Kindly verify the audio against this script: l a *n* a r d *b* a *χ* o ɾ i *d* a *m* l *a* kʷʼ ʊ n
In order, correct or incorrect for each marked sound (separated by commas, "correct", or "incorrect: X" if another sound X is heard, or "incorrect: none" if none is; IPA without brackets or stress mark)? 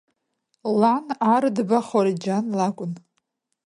correct, correct, correct, incorrect: d͡ʒ, incorrect: n, correct